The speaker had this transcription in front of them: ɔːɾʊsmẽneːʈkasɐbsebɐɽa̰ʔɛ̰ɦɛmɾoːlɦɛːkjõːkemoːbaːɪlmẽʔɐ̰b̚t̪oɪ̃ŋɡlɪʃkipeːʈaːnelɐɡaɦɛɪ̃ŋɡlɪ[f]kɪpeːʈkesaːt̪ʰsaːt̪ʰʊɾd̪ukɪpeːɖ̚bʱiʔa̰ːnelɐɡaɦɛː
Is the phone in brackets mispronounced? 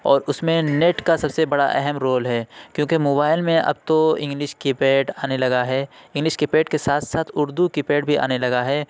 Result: yes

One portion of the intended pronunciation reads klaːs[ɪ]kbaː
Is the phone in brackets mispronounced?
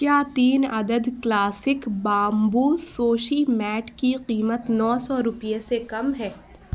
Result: no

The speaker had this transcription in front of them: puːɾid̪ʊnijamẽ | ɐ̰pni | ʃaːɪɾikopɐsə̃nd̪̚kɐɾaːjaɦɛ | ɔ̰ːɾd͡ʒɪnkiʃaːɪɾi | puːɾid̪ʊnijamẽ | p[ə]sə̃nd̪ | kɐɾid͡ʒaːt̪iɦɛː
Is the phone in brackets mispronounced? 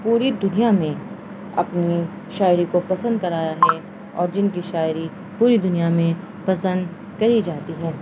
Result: yes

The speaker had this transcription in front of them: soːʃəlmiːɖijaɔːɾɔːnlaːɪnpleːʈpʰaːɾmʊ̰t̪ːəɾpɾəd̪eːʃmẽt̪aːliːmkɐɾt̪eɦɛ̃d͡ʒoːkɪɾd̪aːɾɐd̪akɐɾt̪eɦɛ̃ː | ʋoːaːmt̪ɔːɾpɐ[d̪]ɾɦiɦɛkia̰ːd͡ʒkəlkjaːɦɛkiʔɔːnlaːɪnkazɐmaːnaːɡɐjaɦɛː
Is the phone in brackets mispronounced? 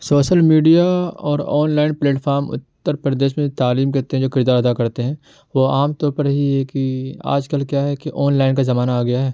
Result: yes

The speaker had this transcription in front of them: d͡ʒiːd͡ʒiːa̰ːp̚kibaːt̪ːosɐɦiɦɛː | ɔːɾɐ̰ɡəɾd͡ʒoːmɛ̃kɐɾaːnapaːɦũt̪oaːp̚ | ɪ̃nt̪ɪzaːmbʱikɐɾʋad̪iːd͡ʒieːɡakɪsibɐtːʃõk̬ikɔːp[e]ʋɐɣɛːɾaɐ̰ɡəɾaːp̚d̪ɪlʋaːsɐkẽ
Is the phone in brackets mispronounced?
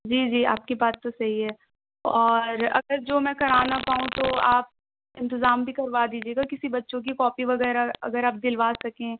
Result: yes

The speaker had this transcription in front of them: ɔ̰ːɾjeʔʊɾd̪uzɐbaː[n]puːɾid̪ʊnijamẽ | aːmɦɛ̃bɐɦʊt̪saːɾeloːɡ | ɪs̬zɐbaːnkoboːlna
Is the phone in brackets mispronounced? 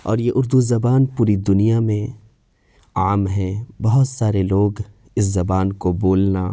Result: no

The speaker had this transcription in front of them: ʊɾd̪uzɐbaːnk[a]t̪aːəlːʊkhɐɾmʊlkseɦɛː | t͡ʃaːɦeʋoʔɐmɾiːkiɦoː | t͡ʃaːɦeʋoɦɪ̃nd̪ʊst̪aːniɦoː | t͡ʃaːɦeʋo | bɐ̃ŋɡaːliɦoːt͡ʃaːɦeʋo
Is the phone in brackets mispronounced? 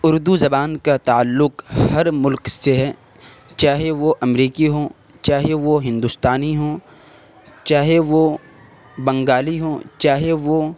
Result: no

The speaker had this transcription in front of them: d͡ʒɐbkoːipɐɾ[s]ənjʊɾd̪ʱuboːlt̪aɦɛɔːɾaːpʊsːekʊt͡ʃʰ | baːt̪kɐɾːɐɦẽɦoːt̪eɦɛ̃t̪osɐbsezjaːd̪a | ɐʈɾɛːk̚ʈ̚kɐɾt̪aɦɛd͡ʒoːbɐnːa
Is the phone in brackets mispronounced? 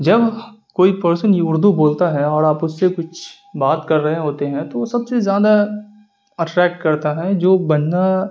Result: no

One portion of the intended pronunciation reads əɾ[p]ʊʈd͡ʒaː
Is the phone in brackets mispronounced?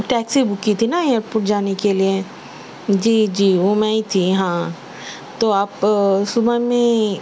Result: no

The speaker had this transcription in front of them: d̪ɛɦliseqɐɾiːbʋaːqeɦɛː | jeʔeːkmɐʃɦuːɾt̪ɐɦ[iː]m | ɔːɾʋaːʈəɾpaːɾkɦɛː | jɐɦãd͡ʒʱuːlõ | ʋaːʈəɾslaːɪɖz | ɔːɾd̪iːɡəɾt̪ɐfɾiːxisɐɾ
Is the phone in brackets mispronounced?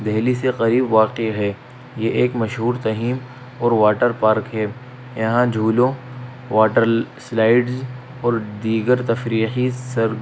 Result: no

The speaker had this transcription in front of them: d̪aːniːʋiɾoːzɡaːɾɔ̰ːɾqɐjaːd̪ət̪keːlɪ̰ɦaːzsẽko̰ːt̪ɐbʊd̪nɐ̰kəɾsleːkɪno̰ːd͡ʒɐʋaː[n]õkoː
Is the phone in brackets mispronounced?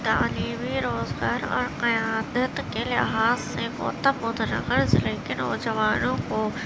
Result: no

